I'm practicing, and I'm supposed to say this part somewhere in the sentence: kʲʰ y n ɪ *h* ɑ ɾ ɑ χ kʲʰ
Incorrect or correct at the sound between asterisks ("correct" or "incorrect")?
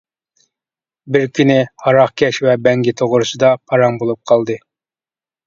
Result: correct